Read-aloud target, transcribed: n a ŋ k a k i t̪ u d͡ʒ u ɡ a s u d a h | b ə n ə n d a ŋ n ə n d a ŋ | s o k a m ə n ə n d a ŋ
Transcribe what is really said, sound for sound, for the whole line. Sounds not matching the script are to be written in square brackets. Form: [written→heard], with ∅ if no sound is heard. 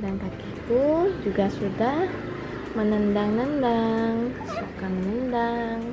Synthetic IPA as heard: [n→d] a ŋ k a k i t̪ u d͡ʒ u ɡ a s u d a h | [b→m] ə n ə n d a ŋ n ə n d a ŋ | s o k a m ə n ə n d a ŋ

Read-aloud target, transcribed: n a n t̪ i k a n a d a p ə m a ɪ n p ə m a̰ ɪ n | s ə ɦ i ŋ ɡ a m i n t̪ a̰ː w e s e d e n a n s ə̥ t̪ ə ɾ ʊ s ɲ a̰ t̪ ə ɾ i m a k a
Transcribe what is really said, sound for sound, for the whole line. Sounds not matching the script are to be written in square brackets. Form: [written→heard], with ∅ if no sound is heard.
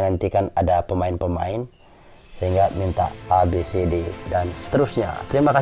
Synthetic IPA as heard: n a n t̪ i k a n a d a p ə m a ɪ n p ə m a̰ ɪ n | s ə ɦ i ŋ ɡ a m i n t̪ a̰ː [w→b] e s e d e [n→d] a n s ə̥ t̪ ə ɾ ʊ s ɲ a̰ t̪ ə ɾ i m a k a

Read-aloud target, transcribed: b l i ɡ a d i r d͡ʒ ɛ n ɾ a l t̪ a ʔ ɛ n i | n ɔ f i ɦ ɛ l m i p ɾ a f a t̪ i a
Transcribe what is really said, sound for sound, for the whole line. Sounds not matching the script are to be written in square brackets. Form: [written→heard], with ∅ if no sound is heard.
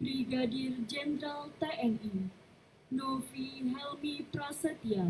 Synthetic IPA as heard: b [l→ɾ] i ɡ a d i r d͡ʒ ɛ n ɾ a l t̪ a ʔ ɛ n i | n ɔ f i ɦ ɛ l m i p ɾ a [f→s] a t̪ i a

